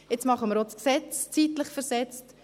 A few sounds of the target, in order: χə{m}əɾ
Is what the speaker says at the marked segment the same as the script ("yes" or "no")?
yes